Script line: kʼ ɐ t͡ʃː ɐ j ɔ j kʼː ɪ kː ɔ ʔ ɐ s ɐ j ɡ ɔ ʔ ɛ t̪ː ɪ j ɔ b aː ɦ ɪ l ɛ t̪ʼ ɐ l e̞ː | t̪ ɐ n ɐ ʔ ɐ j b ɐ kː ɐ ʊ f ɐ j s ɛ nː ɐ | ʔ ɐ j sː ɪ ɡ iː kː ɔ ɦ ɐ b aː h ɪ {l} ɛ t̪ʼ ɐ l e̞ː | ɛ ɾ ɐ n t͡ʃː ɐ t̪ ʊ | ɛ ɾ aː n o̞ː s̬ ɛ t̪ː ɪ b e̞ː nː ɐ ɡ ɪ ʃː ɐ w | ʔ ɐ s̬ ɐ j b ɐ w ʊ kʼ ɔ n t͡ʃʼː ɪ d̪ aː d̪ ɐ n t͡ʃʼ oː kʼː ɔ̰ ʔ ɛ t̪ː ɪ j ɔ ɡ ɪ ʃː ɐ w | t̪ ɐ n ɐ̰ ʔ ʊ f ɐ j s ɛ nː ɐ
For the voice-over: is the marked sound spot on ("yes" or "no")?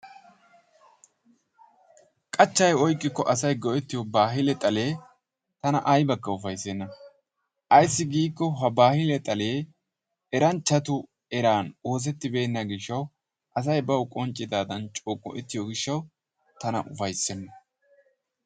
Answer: yes